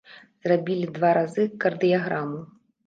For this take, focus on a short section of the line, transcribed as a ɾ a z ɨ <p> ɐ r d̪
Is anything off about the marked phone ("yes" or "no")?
yes